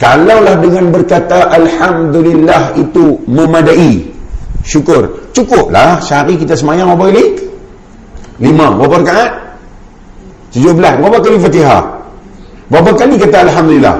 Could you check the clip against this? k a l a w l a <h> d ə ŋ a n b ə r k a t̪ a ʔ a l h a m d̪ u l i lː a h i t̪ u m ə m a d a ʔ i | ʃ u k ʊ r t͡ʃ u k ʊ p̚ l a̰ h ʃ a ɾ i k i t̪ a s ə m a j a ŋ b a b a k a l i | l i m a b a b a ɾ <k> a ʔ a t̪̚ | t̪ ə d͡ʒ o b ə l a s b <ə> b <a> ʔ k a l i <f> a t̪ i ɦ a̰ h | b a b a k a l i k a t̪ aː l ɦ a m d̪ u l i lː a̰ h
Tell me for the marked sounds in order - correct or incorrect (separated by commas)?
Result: correct, correct, incorrect, correct, correct